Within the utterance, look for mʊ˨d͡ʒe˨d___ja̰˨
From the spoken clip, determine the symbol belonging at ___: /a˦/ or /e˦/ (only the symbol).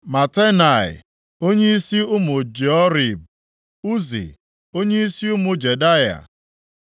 a˦